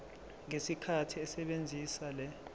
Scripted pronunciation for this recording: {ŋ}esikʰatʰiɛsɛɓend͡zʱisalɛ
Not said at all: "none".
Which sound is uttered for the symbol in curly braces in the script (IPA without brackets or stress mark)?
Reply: ŋ